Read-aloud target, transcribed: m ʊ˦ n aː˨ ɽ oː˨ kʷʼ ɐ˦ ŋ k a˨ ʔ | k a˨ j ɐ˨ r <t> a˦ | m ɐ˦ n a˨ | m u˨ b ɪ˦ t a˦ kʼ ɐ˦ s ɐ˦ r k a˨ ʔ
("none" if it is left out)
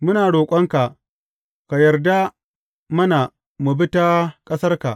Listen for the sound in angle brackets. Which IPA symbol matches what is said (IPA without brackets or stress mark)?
d